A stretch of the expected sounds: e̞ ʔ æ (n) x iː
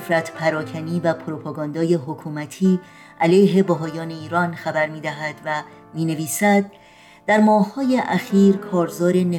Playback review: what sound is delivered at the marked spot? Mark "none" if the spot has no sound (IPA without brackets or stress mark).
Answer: none